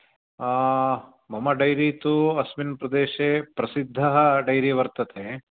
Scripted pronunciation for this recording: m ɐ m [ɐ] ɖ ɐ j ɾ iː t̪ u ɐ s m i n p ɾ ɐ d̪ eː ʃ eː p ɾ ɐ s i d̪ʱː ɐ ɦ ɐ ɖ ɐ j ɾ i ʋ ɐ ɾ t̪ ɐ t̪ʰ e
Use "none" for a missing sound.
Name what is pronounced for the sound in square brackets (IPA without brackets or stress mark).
ɐ